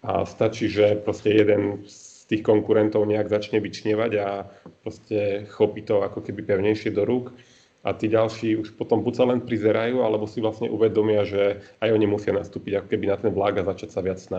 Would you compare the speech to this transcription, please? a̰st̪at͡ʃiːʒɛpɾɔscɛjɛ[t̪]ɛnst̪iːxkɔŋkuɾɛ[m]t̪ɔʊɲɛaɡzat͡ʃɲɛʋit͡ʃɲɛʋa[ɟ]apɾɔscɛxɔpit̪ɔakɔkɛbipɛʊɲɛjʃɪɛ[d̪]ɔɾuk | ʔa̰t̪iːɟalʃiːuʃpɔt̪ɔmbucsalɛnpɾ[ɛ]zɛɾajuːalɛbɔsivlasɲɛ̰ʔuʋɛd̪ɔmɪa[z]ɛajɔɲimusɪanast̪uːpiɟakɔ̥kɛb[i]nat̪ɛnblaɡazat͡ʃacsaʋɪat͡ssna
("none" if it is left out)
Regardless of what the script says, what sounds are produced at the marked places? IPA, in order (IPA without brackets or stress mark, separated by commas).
d̪, n, ɟ, d̪, i, ʒ, i